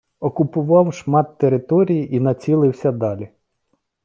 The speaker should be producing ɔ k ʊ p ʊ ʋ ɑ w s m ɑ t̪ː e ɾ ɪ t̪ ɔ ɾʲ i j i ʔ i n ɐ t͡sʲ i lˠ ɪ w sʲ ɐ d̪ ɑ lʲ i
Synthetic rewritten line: ɔ k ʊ p ʊ ʋ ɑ w ʃ m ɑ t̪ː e ɾ ɪ t̪ ɔ ɾʲ i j i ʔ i n ɐ t͡sʲ i lˠ ɪ w sʲ ɐ d̪ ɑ lʲ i